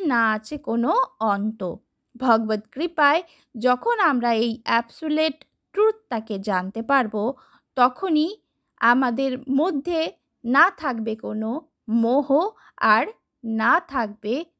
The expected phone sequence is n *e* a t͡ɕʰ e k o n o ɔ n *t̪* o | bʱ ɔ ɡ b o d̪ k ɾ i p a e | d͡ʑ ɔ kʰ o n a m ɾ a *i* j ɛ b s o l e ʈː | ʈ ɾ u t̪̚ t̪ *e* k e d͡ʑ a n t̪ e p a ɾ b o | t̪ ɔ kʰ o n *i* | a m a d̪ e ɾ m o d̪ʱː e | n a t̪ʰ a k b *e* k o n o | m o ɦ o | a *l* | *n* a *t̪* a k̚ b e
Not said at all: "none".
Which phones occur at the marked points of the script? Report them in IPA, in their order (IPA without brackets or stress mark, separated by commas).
a, t̪, e, a, i, e, ɾ, n, t̪ʰ